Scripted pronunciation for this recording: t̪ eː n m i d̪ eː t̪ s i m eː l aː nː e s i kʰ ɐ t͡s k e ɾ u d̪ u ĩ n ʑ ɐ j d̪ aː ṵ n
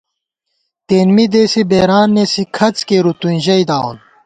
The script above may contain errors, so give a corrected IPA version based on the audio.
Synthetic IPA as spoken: t̪ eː n m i d̪ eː s i b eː ɾ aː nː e s i kʰ ɐ t͡s k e ɾ u t̪ u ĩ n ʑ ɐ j d̪ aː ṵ n